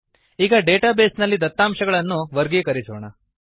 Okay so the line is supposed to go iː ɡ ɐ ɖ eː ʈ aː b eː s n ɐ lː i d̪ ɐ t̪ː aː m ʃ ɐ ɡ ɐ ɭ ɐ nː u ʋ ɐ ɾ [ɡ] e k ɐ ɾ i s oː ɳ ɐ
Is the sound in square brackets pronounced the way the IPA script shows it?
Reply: yes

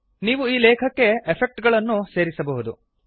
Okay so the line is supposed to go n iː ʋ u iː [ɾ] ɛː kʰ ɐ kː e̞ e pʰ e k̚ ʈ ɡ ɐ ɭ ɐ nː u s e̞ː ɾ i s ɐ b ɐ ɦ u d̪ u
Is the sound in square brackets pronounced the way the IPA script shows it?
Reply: no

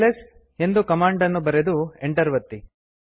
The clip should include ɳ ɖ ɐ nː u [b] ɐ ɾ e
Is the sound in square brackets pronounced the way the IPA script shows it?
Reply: yes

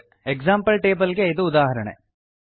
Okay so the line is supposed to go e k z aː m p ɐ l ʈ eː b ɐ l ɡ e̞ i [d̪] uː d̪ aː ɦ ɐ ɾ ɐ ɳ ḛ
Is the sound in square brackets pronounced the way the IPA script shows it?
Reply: yes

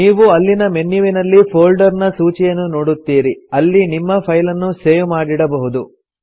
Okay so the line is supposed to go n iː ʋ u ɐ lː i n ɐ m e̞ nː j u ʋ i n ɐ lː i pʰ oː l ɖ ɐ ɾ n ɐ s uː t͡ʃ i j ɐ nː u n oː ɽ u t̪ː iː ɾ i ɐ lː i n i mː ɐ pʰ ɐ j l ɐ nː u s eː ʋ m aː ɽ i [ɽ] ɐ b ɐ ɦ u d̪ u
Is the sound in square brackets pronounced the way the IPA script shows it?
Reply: yes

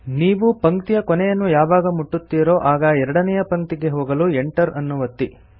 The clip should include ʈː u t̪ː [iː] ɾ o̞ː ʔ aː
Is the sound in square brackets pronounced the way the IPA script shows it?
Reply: yes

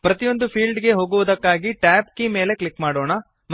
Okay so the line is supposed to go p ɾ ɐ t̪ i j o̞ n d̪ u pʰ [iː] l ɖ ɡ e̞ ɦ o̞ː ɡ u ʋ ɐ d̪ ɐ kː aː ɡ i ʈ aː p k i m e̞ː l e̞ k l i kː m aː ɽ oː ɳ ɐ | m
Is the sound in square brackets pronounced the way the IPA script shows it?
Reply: yes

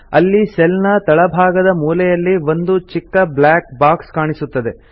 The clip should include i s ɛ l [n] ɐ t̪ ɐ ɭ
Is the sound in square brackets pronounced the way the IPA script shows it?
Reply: yes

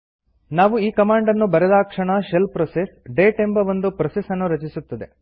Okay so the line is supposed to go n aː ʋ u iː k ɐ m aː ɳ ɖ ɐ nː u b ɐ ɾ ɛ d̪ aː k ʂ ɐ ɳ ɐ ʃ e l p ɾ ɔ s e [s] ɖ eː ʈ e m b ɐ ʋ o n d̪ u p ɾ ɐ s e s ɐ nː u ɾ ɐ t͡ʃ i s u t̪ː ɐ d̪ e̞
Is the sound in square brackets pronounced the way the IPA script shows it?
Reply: yes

